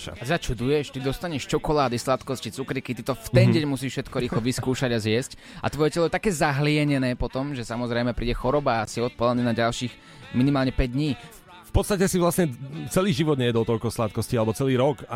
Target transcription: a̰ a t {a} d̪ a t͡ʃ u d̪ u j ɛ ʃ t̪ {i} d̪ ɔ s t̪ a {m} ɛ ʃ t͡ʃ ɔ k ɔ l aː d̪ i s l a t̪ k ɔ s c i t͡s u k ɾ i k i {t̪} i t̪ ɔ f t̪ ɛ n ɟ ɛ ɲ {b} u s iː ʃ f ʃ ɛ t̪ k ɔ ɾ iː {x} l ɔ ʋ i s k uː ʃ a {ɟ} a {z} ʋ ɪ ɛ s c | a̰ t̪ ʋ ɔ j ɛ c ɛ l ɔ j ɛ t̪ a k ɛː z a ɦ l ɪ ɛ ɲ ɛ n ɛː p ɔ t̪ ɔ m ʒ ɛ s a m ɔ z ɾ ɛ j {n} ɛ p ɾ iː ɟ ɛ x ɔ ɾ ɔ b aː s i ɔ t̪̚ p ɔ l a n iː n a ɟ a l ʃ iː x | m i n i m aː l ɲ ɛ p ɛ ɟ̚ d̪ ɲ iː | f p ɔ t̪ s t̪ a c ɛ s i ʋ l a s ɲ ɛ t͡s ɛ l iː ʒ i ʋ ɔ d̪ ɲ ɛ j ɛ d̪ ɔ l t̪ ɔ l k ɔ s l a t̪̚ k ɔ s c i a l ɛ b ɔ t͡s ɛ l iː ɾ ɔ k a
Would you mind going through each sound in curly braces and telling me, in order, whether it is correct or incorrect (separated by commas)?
incorrect, correct, incorrect, correct, incorrect, correct, correct, correct, incorrect